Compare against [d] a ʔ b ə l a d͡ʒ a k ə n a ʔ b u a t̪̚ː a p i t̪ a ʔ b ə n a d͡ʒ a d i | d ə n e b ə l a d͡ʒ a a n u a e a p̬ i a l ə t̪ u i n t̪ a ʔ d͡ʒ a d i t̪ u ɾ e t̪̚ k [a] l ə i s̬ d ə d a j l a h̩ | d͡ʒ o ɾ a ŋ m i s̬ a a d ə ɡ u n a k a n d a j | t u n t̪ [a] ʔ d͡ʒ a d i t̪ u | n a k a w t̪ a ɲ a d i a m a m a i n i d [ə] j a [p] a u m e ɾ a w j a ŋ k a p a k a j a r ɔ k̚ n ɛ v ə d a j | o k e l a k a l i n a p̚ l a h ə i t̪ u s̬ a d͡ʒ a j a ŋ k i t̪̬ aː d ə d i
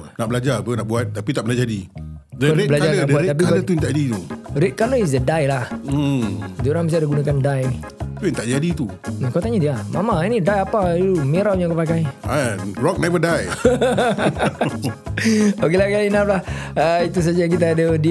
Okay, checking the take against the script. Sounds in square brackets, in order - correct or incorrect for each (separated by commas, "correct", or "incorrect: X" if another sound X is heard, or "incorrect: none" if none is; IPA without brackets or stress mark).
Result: incorrect: n, correct, correct, incorrect: a, correct